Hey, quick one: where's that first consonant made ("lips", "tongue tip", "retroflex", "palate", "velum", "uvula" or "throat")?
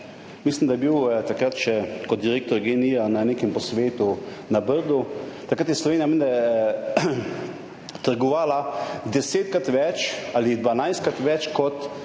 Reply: lips